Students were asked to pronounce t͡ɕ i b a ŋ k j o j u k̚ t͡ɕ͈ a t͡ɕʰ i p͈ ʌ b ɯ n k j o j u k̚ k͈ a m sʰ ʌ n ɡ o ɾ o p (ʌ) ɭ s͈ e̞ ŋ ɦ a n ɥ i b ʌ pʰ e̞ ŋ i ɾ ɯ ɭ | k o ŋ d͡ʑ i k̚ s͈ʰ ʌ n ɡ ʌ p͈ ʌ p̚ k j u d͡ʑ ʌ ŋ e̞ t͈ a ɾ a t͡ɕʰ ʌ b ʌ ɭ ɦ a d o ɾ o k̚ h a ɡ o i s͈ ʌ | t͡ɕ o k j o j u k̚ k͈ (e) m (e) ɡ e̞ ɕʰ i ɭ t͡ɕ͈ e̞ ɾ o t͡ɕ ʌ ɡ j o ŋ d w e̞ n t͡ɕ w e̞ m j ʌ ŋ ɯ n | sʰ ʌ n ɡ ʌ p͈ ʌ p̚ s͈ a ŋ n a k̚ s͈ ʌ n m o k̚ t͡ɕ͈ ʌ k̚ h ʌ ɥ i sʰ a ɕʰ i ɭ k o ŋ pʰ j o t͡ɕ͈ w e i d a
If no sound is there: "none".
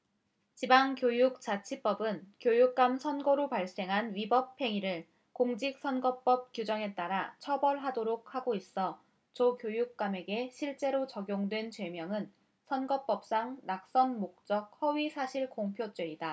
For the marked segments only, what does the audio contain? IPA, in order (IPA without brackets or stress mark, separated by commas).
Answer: a, a, e